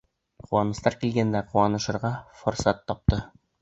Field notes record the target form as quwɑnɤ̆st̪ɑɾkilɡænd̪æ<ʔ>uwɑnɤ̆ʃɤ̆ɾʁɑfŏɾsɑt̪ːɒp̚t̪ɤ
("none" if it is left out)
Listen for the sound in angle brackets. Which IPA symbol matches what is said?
q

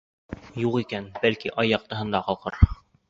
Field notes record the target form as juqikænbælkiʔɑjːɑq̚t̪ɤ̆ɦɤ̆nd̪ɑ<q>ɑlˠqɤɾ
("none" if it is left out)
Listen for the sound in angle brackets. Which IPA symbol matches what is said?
q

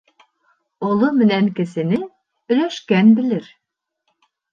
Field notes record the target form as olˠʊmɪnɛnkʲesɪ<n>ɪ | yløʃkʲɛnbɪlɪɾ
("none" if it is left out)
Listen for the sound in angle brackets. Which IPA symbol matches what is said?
n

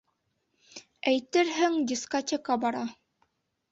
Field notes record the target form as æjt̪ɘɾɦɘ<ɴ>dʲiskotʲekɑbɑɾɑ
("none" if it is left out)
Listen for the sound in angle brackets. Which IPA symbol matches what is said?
ŋ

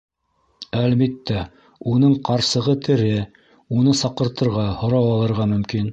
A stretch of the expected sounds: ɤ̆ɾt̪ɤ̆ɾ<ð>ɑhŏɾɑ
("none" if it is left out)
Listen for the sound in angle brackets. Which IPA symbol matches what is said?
ʁ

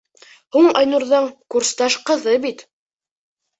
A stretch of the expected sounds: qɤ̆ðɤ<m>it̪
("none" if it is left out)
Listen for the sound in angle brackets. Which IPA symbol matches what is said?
b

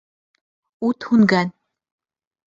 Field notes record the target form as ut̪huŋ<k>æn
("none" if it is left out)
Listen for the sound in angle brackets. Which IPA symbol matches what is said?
ɡ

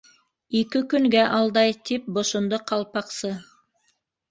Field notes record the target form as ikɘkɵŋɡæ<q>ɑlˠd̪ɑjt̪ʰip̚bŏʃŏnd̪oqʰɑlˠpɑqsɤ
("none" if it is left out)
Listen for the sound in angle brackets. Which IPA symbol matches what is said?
ʔ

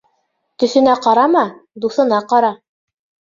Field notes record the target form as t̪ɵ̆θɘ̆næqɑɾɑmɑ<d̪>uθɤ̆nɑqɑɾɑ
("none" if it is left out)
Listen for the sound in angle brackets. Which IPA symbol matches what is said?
d̪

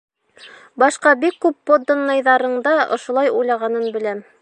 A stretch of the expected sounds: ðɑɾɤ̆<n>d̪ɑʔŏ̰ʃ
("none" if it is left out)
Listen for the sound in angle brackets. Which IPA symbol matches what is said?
ɴ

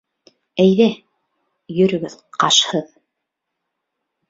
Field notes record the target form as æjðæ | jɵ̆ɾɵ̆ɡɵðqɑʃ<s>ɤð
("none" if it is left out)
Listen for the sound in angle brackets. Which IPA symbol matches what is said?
h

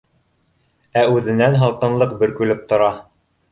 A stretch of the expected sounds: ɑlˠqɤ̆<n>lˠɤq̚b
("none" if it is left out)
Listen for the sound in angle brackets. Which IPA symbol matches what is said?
n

